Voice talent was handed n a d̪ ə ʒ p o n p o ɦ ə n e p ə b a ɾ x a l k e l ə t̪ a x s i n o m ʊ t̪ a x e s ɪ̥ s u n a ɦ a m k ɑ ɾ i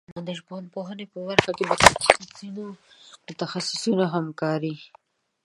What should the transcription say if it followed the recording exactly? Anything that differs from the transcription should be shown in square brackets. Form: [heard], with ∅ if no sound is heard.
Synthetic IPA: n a d̪ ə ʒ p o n p o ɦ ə n e p ə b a ɾ x a [∅] k e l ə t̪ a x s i n o m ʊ t̪ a x [a] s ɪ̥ s u n a ɦ a m k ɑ ɾ i